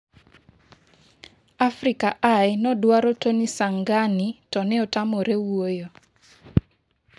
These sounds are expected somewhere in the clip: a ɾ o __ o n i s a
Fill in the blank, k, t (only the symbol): t